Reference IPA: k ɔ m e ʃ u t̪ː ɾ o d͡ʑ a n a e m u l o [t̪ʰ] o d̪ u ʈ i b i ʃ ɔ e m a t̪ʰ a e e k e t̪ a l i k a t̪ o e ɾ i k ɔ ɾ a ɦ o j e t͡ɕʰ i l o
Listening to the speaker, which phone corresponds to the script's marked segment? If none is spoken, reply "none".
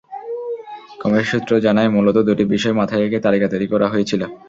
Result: t̪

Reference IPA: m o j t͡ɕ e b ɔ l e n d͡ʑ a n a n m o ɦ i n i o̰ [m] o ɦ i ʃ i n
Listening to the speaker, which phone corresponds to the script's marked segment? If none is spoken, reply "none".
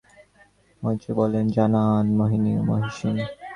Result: m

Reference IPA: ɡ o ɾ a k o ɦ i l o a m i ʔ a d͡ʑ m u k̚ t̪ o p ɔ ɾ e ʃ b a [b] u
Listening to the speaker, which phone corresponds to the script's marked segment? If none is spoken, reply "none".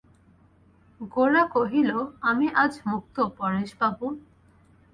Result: b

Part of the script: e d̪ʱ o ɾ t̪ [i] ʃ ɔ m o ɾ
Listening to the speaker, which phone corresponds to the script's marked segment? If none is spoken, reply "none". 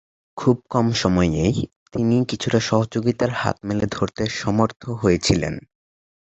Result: e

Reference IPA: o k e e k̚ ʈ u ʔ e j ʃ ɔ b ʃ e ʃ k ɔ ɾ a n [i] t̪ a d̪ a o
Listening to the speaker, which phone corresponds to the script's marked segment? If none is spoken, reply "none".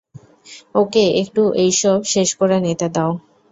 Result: e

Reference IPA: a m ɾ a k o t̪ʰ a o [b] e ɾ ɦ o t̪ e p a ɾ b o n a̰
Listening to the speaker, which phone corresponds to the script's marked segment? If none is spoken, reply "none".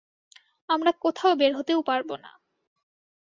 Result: b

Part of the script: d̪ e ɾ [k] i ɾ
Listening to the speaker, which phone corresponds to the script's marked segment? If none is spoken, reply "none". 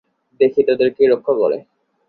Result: k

